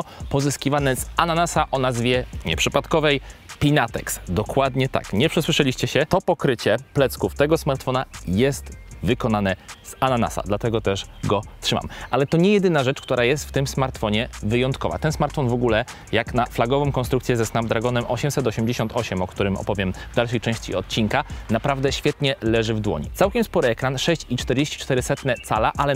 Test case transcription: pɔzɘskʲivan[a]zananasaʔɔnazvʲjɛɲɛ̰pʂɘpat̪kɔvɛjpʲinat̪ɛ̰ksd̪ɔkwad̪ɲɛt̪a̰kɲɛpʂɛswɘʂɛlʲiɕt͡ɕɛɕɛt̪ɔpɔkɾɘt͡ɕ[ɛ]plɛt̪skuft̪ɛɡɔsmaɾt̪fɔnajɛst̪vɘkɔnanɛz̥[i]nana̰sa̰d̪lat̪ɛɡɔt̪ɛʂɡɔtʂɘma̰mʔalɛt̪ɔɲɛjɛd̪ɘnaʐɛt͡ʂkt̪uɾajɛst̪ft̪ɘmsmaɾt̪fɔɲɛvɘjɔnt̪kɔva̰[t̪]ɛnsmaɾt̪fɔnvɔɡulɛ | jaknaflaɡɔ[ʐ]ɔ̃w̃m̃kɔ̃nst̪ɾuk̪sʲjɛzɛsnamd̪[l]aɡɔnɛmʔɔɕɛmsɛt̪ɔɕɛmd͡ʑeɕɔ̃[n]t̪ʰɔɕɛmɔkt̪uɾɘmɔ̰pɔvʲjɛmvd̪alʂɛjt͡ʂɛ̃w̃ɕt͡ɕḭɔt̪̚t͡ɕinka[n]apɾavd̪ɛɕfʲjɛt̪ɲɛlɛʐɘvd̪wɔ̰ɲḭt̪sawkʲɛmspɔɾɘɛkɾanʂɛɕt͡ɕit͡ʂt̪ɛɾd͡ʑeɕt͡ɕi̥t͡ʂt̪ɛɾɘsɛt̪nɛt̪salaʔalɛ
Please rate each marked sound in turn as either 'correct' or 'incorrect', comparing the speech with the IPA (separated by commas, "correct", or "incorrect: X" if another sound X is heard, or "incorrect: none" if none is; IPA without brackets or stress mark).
incorrect: ɛ, correct, incorrect: a, correct, incorrect: v, incorrect: ɾ, correct, correct